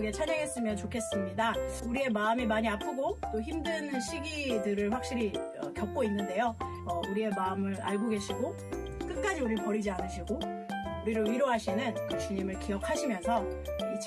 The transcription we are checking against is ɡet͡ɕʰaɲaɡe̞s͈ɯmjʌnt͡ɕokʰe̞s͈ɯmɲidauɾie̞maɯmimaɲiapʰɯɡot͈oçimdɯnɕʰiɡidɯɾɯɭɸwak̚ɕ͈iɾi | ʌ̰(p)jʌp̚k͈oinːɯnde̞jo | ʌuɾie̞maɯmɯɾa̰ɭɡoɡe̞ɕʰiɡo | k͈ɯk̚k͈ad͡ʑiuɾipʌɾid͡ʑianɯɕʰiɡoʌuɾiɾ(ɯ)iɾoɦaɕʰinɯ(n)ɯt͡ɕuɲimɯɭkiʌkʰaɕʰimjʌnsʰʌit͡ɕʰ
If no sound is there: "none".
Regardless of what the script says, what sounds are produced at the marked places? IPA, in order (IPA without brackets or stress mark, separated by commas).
k, ɯ, n